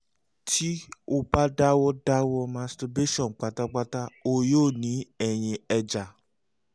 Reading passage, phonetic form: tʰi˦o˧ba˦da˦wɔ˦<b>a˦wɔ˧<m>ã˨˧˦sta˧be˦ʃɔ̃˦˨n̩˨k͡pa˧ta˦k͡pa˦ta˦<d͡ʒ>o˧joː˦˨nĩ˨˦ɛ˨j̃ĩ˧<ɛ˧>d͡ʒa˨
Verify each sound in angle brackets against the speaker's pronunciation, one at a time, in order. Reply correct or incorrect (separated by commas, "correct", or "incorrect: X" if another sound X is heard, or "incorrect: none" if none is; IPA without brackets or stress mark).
incorrect: d, correct, incorrect: none, correct